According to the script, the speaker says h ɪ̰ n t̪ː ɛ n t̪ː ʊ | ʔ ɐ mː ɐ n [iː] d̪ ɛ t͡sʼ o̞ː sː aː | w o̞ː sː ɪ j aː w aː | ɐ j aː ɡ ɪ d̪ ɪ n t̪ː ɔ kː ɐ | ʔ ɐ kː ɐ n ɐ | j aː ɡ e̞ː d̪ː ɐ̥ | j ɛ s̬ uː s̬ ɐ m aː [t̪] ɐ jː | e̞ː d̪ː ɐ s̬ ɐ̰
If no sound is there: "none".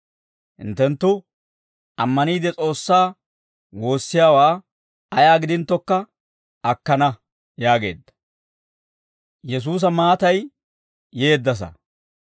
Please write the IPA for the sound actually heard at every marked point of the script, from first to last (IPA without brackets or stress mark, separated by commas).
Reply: iː, t̪